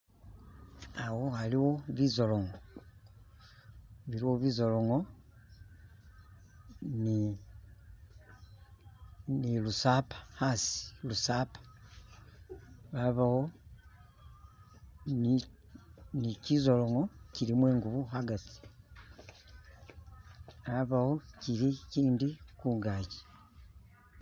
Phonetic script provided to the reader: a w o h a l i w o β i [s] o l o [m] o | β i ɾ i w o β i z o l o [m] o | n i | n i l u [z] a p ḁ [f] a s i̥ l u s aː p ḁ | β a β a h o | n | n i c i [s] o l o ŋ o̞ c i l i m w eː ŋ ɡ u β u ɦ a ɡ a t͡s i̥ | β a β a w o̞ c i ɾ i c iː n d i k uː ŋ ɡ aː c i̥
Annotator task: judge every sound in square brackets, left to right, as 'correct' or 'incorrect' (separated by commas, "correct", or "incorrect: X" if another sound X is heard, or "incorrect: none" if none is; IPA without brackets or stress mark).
incorrect: z, incorrect: ŋ, incorrect: ŋ, incorrect: s, incorrect: h, incorrect: z